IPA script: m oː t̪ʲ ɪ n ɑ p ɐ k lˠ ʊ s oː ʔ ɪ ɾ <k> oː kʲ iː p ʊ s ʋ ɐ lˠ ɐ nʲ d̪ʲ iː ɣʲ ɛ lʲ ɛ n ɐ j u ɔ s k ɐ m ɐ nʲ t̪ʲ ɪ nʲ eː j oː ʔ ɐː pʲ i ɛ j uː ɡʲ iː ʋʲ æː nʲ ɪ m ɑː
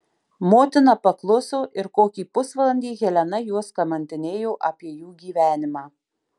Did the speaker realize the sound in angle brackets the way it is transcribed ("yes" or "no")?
yes